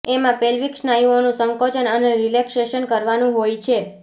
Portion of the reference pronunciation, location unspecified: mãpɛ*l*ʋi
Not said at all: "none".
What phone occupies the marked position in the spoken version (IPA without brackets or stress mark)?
l